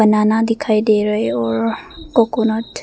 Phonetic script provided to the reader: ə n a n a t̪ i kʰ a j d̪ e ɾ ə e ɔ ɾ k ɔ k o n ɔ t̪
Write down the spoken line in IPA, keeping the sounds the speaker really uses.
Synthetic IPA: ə n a n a d̪ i kʰ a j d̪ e ɾ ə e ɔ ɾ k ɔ k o n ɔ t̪